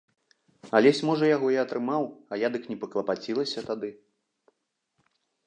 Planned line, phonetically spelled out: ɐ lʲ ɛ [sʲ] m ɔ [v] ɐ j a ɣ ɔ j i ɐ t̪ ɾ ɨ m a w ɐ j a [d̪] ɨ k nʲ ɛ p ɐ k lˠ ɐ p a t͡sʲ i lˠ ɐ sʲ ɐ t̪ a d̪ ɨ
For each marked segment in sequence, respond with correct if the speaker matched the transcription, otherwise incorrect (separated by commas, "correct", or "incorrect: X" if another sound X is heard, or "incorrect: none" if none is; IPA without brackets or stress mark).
correct, incorrect: ʐ, correct